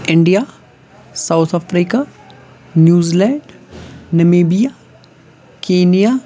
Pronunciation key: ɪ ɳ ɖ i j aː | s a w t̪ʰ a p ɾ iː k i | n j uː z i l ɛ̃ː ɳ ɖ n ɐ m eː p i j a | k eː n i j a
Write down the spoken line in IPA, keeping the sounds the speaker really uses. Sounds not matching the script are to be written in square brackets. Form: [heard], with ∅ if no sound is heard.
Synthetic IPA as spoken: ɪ ɳ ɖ i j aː | s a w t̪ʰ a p ɾ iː k [a] | n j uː z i l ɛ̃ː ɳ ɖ n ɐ m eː [b] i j a | k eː n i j a

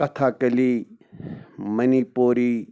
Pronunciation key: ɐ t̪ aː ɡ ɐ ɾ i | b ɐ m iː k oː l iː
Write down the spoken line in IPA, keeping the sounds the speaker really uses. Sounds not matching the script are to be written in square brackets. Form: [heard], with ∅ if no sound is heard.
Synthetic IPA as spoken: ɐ [t̪ʰ] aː [k] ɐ [l] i | [m] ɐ [n] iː [p] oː [ɾ] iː

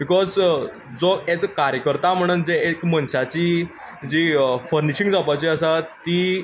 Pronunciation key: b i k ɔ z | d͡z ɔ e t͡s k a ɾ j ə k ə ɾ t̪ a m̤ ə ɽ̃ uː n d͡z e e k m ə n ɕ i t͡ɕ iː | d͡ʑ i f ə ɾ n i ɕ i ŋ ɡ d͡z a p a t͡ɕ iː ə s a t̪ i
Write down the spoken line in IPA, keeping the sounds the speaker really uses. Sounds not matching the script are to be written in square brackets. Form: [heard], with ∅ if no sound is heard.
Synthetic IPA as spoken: b i k ɔ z | d͡z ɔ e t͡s k a ɾ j ə k ə ɾ t̪ a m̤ ə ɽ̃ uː n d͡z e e k m ə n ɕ [a] t͡ɕ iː | d͡ʑ i f ə ɾ n i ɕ i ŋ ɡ d͡z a p a t͡ɕ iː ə s a t̪ i

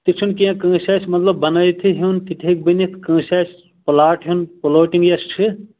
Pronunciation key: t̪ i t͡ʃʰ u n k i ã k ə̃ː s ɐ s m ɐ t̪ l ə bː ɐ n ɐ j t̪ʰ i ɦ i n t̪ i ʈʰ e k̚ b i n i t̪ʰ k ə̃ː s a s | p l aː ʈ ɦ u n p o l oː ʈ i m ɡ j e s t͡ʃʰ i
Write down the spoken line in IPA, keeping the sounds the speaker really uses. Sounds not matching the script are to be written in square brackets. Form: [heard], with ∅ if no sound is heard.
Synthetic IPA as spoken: t̪ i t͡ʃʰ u n k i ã k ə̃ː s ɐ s m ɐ t̪ l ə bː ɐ n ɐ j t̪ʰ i ɦ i n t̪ i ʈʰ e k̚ b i n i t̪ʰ k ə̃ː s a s | p l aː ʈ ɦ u n p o l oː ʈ i [ŋ] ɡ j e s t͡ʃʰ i

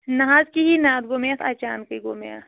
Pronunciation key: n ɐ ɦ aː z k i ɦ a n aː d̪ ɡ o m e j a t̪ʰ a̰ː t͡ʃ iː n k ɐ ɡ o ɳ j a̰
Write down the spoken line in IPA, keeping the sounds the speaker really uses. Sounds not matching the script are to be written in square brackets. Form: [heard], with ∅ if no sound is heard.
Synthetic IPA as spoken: n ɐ ɦ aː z k i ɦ [i] n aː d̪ ɡ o m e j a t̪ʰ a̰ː t͡ʃ [aː] n k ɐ ɡ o [m] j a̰

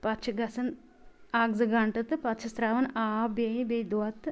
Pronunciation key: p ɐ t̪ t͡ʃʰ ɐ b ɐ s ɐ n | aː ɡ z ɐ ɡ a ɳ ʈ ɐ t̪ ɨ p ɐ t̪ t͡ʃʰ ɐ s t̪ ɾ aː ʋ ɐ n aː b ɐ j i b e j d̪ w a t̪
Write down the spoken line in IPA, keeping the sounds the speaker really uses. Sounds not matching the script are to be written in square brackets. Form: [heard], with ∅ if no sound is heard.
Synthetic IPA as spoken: p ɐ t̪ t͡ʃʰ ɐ [ɡ] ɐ s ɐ n | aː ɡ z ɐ ɡ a ɳ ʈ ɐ t̪ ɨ p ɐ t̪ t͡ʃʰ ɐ s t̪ ɾ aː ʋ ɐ n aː b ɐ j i b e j d̪ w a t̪

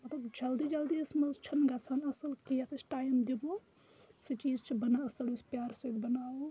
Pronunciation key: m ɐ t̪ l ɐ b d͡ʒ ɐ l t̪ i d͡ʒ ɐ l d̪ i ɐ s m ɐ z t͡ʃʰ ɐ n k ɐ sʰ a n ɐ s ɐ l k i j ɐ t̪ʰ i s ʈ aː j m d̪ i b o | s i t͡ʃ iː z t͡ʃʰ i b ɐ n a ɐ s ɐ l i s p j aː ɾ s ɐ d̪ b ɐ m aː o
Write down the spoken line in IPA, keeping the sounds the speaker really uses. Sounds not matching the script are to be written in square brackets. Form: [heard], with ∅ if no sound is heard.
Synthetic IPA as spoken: m ɐ t̪ l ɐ b d͡ʒ ɐ l [d̪] i d͡ʒ ɐ l d̪ i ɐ s m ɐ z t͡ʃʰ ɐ n [ɡ] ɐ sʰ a n ɐ s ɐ l k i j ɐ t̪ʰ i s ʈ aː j m d̪ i b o | s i t͡ʃ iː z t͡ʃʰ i b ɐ n a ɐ s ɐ l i s p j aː ɾ s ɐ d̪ b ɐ [n] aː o

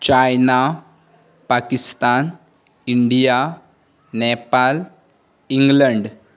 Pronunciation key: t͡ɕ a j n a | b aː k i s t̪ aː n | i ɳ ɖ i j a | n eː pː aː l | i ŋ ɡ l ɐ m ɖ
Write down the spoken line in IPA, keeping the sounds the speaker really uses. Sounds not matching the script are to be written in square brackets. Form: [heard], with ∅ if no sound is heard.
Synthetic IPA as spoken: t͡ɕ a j n a | [p] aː k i s t̪ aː n | i ɳ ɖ i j a | n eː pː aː l | i ŋ ɡ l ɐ [ɳ] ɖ

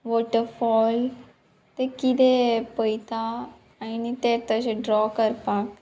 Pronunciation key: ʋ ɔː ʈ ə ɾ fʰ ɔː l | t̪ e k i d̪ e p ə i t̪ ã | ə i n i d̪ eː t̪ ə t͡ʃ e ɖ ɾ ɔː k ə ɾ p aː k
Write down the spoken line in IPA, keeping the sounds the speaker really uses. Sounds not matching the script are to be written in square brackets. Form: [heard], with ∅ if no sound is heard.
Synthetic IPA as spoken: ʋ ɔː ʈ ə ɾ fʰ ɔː l | t̪ e k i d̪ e p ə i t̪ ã | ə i n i [t̪] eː t̪ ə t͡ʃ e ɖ ɾ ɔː k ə ɾ p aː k

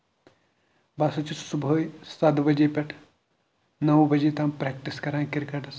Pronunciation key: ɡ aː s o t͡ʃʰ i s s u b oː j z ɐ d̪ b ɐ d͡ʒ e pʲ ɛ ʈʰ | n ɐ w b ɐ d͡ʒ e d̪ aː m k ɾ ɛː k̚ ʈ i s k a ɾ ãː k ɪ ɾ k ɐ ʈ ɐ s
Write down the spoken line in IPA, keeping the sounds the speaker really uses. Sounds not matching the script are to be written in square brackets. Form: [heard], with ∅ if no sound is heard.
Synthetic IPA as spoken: [b] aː s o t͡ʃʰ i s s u b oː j [s] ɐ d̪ b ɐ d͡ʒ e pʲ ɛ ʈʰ | n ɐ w b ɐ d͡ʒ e [t̪] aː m [p] ɾ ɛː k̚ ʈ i s k [ɐ] ɾ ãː k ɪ ɾ k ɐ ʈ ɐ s

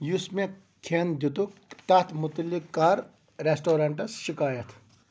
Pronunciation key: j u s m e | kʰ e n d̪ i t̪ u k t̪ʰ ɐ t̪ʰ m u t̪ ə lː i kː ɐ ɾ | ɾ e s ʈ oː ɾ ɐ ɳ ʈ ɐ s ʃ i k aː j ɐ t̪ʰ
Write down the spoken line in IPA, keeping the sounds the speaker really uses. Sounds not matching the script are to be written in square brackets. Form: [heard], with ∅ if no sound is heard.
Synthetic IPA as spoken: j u s m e | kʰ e n d̪ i t̪ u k [t̪] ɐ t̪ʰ m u t̪ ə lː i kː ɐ ɾ | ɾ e s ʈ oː ɾ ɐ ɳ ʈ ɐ s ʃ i k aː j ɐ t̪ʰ

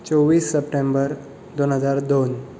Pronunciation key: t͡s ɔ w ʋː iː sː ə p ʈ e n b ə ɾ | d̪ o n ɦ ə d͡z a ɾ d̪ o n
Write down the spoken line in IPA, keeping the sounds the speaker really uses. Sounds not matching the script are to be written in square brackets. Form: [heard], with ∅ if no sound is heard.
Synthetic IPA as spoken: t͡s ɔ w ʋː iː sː ə p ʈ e [m] b ə ɾ | d̪ o n ɦ ə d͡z a ɾ d̪ o n

